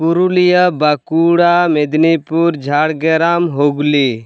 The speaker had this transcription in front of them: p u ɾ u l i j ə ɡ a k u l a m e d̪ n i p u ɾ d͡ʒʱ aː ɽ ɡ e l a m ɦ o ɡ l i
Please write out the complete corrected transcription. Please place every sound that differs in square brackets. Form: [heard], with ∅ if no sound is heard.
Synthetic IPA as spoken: p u ɾ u l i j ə [b] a k u [ɽ] a m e d̪ n i p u ɾ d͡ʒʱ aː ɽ ɡ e [ɾ] a m ɦ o ɡ l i